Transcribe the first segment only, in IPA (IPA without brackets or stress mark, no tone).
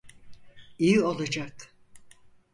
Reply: i